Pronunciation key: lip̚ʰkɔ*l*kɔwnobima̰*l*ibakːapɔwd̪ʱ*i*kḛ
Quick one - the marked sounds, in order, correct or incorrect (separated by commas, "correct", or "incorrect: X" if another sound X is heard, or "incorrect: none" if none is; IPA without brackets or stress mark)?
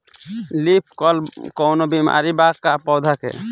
correct, incorrect: ɾ, incorrect: a